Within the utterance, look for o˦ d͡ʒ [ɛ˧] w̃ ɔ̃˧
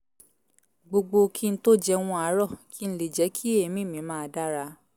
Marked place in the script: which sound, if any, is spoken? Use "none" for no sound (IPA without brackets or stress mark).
ɛ˧